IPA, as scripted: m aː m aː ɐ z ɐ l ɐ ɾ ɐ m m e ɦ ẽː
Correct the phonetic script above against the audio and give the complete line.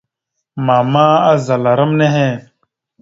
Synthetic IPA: m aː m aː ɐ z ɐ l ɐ ɾ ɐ m n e ɦ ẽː